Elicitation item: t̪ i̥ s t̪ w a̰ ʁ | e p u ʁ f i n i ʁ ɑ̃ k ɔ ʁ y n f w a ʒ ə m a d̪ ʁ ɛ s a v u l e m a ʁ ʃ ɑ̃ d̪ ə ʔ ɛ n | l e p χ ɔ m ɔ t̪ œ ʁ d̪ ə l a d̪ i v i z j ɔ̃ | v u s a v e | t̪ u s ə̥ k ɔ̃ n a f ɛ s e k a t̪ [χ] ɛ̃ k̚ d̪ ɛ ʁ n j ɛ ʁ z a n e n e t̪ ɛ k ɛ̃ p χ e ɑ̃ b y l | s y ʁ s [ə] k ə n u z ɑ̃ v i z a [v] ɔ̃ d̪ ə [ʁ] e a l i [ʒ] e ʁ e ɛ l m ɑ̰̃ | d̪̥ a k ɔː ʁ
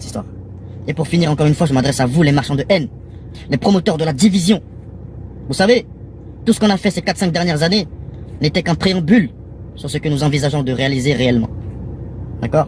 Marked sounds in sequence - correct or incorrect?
incorrect, correct, incorrect, correct, incorrect

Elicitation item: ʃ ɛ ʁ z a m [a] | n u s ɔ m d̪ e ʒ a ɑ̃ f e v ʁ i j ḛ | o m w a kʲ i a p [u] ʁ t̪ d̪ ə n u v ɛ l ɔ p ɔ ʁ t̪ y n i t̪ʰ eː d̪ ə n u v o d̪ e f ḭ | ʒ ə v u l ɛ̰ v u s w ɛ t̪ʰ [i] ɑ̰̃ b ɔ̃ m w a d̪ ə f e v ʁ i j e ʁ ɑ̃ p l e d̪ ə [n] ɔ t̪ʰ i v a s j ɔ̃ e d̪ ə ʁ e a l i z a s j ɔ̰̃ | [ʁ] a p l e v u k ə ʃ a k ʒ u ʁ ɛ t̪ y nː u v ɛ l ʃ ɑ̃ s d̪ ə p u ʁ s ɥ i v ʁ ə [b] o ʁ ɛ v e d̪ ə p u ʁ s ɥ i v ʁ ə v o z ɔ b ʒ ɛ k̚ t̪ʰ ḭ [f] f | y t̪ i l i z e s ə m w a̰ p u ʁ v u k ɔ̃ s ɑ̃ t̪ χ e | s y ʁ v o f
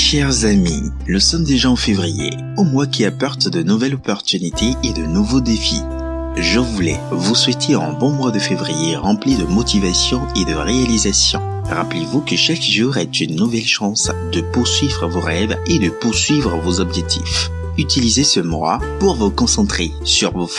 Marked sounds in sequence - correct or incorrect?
incorrect, incorrect, incorrect, incorrect, correct, incorrect, correct

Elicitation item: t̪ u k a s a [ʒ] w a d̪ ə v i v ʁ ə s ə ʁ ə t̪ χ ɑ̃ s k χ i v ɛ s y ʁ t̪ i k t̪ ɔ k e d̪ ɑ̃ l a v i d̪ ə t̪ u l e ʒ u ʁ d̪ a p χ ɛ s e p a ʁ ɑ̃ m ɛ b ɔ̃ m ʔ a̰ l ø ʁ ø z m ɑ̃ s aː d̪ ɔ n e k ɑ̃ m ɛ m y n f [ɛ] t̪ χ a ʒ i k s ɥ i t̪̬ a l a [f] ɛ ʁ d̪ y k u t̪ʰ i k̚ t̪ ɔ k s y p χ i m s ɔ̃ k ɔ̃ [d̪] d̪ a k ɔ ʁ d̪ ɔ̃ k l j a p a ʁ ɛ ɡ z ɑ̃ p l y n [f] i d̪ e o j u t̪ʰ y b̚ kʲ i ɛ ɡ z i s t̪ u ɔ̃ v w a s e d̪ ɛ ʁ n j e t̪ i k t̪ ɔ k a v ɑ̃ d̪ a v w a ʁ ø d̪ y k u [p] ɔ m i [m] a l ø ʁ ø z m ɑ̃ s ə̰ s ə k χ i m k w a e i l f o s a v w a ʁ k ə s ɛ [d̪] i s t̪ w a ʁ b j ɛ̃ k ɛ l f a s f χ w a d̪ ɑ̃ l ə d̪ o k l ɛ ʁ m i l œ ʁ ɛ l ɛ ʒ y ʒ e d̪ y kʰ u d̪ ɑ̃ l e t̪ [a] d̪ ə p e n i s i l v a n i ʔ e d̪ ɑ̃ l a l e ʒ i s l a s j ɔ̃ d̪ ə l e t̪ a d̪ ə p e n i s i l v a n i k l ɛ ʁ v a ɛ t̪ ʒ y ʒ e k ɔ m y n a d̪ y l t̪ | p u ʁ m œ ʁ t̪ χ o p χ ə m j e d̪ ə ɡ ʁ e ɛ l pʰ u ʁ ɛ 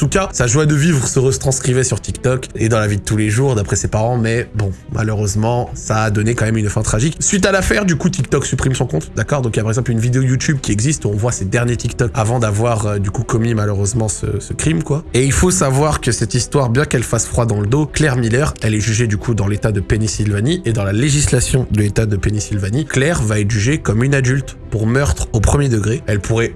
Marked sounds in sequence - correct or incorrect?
correct, incorrect, correct, incorrect, incorrect, incorrect, correct, incorrect, correct

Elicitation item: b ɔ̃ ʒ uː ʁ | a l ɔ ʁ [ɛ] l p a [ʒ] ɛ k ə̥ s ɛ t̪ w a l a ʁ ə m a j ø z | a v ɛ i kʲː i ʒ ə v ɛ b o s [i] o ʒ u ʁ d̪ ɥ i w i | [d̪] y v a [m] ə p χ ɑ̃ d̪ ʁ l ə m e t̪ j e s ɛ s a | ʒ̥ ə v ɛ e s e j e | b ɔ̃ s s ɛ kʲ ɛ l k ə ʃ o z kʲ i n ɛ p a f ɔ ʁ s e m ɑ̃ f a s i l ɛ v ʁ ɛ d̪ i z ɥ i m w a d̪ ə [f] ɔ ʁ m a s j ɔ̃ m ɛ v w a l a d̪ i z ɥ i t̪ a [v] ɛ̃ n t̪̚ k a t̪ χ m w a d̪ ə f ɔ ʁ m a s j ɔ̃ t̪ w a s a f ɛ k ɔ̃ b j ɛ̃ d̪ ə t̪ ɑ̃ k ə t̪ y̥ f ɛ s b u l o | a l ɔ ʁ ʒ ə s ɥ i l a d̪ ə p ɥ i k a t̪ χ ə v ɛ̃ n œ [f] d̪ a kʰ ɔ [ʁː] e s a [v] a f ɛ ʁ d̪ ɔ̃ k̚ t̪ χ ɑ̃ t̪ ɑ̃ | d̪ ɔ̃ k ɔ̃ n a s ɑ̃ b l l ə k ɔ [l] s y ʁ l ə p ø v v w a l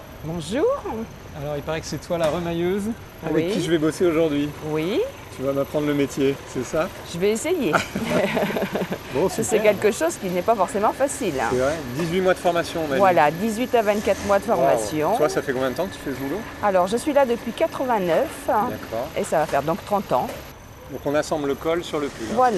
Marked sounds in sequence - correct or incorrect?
incorrect, incorrect, incorrect, incorrect, correct, correct, correct, correct, incorrect, correct, correct

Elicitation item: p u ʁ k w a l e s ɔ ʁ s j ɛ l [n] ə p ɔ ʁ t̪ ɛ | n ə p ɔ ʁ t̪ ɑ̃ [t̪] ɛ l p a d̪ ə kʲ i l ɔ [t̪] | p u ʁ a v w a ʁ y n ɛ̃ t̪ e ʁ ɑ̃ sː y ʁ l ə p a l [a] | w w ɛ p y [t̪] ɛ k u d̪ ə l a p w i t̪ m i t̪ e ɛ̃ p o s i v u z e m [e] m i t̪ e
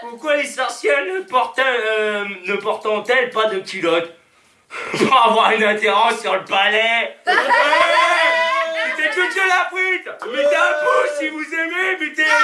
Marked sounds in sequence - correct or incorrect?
correct, correct, correct, incorrect, correct, correct

